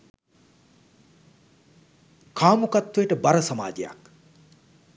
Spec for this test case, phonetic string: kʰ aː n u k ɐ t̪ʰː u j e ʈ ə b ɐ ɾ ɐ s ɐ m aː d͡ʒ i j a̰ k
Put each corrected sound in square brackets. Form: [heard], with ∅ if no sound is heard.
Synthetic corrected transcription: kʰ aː [m] u k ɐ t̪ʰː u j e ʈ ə b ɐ ɾ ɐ s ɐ m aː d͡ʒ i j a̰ k